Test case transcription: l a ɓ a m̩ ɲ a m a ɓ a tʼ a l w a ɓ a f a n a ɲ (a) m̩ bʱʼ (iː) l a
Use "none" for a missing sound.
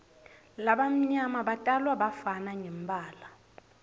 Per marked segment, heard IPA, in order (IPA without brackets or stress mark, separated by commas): ɛ, aː